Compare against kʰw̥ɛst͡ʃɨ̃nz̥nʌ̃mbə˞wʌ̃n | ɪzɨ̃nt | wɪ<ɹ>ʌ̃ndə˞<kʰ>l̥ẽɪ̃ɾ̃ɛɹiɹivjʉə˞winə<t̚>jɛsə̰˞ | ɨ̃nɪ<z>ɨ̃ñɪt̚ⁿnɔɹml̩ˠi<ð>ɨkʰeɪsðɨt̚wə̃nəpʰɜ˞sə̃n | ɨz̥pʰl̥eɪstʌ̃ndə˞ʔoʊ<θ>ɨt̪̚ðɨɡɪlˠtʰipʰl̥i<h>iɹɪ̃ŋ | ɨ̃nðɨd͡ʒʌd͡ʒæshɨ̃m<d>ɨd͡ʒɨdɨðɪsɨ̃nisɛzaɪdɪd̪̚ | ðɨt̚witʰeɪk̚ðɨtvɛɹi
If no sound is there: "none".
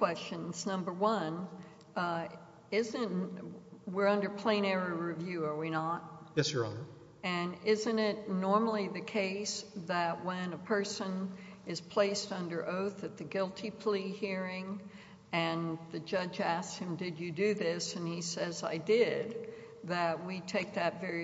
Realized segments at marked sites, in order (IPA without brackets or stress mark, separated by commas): ɹ, pʰ, t̚, z, ð, θ, h, d